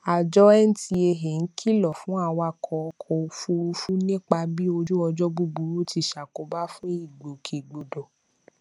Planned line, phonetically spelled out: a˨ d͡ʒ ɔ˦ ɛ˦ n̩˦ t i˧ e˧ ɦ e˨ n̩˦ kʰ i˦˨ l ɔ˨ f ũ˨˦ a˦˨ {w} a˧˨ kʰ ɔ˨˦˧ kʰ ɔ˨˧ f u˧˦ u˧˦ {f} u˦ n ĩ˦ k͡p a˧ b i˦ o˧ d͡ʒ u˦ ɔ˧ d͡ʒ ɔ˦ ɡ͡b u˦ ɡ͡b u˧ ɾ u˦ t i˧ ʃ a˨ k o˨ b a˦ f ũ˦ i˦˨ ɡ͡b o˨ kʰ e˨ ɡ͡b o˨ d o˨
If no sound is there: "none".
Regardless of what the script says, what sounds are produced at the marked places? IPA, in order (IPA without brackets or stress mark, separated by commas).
w, f